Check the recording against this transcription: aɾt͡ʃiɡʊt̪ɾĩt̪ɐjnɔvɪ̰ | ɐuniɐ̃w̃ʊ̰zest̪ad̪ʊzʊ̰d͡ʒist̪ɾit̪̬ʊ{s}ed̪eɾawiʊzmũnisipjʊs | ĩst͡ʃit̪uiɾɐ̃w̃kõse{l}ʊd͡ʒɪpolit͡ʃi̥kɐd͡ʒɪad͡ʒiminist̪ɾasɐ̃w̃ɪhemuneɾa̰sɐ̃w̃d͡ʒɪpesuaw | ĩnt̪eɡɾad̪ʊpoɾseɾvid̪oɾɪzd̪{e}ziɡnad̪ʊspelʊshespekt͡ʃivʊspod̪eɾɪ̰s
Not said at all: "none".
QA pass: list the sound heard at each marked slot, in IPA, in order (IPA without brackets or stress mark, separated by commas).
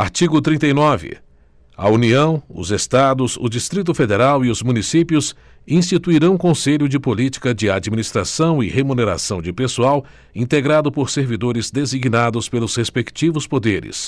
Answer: f, ʎ, e